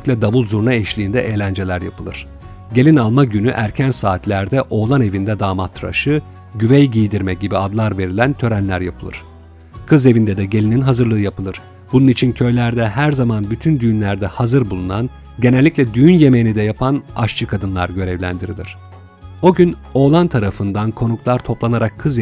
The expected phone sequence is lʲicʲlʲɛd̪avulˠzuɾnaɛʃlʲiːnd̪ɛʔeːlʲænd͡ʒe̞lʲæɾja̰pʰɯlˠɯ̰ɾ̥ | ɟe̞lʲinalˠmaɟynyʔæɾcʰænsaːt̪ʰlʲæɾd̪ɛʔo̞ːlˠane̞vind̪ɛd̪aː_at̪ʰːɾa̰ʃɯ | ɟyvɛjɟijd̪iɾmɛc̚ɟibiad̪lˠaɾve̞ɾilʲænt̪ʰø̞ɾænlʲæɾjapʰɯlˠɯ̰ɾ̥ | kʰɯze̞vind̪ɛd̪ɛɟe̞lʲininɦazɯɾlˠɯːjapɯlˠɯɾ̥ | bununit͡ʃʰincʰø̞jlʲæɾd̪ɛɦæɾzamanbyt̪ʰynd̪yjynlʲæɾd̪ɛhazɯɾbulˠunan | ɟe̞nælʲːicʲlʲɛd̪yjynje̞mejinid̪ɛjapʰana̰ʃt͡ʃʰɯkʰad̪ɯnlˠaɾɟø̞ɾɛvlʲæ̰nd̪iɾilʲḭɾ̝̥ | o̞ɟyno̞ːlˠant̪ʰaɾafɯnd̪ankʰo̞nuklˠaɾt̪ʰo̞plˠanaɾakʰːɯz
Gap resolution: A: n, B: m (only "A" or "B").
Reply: B